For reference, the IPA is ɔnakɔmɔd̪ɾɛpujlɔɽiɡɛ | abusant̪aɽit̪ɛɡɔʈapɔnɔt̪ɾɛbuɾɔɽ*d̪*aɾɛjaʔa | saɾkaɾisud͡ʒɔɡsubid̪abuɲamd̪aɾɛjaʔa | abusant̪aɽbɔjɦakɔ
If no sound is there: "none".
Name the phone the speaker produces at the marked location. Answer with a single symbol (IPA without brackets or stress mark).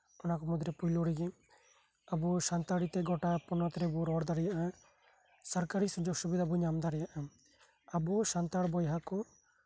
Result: d̪